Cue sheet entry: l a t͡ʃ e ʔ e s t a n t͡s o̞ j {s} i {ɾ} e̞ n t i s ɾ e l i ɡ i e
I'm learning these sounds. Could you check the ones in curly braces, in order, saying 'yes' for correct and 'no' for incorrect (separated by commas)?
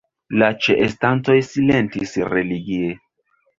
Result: yes, no